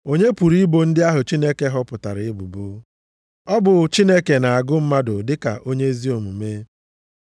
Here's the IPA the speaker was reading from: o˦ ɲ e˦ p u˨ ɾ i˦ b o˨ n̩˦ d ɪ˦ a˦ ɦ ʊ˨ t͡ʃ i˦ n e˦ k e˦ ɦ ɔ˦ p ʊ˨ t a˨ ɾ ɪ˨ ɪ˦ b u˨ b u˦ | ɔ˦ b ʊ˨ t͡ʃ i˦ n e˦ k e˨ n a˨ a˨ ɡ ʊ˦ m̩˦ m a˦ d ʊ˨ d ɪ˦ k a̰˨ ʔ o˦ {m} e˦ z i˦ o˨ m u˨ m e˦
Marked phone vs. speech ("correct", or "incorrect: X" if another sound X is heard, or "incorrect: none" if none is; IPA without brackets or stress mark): incorrect: ɲ